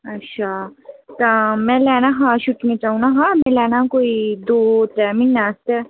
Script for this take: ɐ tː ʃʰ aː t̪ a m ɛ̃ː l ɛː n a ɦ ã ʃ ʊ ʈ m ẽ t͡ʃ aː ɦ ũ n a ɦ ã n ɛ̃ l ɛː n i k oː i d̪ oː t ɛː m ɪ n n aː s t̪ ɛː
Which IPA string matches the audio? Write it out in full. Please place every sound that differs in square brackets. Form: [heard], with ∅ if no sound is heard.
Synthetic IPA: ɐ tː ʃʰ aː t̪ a m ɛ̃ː l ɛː n a ɦ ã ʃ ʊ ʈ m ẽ t͡ʃ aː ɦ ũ n a ɦ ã [m] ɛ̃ l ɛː n [a] k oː i d̪ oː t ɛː m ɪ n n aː s t̪ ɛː